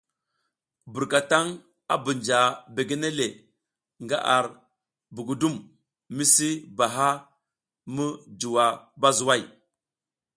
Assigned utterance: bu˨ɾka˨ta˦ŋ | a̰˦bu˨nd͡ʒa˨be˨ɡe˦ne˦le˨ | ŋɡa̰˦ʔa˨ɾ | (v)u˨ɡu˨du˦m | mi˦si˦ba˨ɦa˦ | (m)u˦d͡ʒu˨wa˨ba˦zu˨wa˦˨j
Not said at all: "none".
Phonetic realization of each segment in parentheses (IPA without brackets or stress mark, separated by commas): b, m